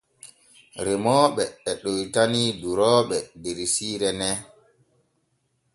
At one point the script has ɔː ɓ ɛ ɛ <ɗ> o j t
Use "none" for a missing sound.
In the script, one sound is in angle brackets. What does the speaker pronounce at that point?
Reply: ɗ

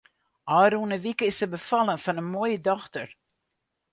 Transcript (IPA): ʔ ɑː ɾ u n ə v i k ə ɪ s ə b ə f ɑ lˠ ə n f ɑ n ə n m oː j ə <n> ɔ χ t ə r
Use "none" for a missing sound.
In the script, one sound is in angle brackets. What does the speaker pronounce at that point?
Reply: d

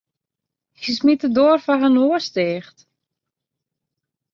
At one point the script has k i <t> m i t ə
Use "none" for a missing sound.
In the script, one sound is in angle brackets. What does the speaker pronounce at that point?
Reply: s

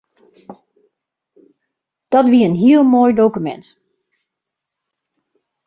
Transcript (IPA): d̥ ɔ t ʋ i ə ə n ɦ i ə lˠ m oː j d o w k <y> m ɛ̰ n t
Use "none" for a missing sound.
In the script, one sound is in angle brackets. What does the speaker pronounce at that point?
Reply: y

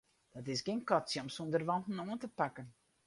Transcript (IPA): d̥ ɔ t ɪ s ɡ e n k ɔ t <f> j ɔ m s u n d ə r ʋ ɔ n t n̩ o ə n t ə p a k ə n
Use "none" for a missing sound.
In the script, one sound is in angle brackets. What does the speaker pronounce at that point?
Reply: s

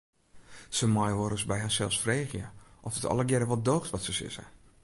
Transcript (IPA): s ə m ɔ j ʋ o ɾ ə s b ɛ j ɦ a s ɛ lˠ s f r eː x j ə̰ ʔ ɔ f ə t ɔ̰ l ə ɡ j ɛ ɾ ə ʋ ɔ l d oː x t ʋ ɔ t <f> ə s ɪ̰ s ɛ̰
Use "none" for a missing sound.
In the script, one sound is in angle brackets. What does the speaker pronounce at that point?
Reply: s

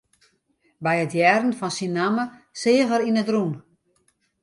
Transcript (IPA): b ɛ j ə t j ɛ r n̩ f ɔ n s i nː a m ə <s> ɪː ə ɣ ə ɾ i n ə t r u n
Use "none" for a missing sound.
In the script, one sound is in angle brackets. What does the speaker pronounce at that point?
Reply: s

